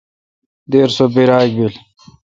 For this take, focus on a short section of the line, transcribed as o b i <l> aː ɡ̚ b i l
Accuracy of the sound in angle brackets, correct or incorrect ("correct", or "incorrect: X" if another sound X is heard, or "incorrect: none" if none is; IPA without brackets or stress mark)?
incorrect: ɾ